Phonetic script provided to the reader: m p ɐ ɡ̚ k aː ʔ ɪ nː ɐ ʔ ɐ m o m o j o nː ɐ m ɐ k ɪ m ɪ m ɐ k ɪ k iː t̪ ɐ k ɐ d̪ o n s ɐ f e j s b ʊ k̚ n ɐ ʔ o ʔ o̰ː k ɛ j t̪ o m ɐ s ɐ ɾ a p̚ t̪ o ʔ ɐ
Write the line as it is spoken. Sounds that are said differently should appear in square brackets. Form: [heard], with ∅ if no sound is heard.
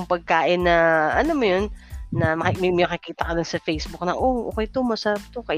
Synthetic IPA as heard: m p ɐ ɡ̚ k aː ʔ ɪ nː ɐ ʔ ɐ [n] o m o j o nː ɐ m ɐ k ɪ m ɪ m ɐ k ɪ k iː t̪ ɐ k ɐ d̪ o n s ɐ f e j s b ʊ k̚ n ɐ ʔ o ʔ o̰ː k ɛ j t̪ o m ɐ s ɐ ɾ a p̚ t̪ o [k] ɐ